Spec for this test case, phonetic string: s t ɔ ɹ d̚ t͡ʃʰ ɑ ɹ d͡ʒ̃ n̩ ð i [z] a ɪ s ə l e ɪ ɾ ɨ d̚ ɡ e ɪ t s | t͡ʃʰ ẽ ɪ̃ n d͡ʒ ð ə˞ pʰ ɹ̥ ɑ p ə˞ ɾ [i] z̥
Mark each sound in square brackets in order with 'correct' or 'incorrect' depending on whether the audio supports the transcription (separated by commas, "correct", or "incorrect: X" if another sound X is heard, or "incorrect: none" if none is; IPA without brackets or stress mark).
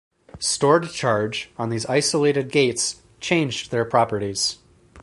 correct, correct